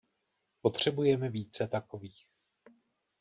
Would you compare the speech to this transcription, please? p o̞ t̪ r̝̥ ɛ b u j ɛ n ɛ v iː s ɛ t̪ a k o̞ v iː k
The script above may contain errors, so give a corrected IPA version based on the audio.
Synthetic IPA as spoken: p o̞ t̪ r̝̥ ɛ b u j ɛ m ɛ v iː t͡s ɛ t̪ a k o̞ v iː x